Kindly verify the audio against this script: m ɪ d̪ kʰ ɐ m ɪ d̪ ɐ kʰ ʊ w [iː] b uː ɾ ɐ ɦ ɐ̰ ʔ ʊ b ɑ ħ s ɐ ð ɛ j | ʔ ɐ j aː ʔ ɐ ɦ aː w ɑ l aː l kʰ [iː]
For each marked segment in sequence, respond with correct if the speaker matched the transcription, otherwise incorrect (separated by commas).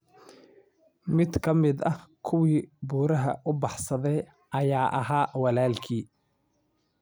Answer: correct, correct